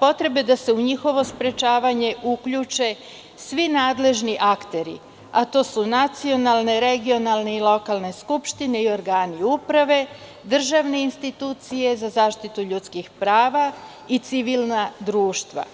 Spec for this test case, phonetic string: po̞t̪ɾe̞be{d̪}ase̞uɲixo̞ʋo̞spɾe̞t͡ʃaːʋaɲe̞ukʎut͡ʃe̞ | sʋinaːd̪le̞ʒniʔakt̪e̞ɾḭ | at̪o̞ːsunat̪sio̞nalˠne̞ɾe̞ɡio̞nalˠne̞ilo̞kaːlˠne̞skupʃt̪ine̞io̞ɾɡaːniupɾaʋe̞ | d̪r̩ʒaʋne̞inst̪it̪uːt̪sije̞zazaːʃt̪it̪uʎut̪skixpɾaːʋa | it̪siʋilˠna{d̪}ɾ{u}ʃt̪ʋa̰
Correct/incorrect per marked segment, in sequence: correct, correct, incorrect: uː

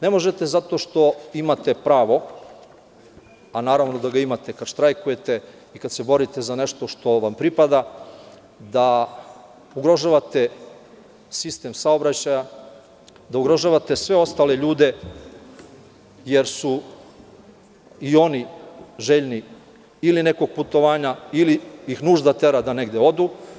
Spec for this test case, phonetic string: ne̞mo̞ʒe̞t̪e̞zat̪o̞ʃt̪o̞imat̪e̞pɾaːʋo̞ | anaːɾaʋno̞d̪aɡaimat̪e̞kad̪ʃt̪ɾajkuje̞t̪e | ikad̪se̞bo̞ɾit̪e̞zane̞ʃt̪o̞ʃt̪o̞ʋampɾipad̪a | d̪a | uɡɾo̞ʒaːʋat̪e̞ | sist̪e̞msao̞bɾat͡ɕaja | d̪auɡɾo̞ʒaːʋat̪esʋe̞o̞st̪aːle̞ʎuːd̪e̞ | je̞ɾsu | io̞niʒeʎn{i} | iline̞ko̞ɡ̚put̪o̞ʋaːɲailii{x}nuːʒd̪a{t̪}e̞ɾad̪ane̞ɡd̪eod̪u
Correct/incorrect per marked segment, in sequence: correct, correct, correct

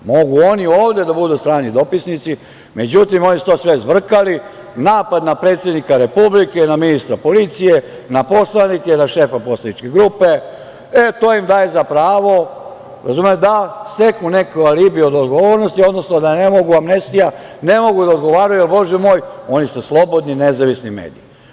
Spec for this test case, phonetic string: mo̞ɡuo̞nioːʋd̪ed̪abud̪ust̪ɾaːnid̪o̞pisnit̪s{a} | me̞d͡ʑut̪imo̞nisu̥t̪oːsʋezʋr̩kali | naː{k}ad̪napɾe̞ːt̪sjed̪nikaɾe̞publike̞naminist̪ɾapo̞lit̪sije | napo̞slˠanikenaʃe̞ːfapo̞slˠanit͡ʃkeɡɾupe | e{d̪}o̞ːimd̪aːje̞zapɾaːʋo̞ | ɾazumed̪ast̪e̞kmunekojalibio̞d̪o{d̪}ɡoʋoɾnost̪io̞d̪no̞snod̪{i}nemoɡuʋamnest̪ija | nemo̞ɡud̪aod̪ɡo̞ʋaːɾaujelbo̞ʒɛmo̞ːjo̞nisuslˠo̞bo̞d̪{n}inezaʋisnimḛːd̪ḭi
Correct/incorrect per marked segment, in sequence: incorrect: i, incorrect: p, incorrect: t̪, correct, incorrect: a, correct

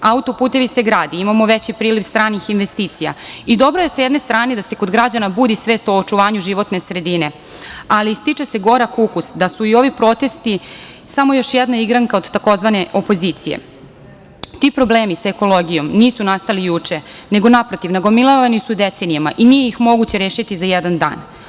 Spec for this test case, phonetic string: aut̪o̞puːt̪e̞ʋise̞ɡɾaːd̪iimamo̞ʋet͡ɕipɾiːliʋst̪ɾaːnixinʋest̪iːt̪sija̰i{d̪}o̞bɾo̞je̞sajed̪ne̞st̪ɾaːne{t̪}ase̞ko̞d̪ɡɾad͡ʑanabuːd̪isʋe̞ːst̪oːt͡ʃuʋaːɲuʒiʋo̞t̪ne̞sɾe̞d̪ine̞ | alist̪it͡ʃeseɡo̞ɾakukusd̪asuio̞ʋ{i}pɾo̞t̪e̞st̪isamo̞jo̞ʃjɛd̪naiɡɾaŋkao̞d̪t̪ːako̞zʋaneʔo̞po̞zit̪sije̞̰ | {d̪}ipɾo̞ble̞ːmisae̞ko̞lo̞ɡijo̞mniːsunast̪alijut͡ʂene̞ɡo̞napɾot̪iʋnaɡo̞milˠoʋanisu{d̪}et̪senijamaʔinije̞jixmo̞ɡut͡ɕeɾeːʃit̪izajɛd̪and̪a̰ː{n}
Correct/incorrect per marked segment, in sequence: correct, incorrect: d̪, correct, incorrect: t̪, correct, correct

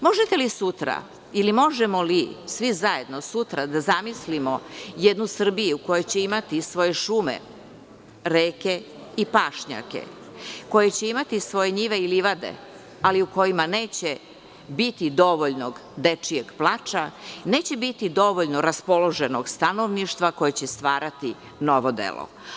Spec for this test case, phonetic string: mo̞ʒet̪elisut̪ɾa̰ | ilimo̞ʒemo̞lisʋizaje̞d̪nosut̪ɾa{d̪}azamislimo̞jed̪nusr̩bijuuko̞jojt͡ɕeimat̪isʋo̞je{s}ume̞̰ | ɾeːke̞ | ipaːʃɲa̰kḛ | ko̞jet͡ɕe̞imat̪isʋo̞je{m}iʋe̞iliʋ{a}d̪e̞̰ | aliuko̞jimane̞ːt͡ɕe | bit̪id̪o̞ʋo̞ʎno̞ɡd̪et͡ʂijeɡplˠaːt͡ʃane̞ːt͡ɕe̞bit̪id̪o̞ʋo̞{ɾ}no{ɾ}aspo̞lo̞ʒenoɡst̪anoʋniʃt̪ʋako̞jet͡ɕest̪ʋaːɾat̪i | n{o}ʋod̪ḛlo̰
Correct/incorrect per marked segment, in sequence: correct, incorrect: ʃ, incorrect: ɲ, correct, incorrect: ʎ, correct, correct

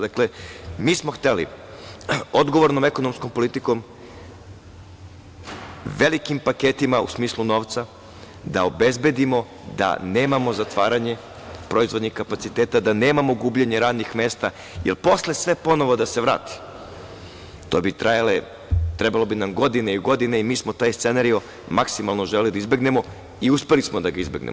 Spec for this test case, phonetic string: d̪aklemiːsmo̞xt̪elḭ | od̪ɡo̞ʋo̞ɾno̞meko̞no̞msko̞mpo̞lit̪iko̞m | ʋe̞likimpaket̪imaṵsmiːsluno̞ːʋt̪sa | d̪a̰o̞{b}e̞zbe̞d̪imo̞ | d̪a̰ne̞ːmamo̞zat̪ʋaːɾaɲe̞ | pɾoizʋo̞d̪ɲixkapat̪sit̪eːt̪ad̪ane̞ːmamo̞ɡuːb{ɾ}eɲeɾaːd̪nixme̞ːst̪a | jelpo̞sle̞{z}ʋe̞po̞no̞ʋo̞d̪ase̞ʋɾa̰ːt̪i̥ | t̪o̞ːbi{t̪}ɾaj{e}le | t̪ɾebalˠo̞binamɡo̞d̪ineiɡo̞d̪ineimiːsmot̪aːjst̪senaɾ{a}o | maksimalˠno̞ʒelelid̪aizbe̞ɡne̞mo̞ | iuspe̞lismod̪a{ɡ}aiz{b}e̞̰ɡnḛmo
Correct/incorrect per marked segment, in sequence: correct, incorrect: ʎ, incorrect: s, correct, incorrect: a, incorrect: i, correct, correct

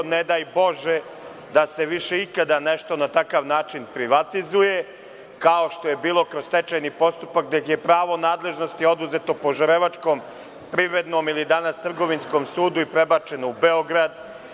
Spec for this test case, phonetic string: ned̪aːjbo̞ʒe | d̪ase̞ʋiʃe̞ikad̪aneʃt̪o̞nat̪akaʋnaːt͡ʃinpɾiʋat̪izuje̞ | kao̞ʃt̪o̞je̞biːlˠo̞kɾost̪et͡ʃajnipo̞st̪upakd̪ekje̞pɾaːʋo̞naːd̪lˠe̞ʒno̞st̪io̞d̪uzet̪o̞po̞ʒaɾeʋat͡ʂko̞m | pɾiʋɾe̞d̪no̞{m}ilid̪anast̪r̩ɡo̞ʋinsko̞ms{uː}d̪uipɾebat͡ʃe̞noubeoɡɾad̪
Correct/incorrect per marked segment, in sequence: correct, correct

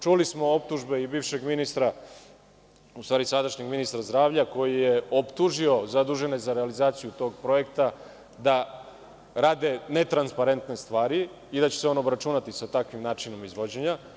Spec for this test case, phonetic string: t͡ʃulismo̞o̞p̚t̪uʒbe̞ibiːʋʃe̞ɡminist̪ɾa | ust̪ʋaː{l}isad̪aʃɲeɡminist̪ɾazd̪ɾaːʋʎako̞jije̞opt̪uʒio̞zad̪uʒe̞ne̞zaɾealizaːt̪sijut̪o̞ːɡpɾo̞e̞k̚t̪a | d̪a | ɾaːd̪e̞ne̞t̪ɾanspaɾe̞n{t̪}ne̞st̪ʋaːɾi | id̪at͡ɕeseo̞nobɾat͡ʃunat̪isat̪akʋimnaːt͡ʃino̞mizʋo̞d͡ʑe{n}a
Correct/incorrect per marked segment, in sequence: incorrect: ɾ, correct, incorrect: ɲ

